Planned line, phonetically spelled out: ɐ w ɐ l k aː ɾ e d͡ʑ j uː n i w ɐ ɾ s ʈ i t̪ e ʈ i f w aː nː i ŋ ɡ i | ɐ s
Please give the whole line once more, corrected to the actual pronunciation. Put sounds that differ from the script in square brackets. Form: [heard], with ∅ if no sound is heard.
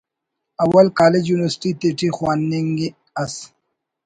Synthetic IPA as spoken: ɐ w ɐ l k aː [l] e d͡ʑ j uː n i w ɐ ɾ s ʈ i t̪ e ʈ i [x] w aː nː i ŋ ɡ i | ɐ s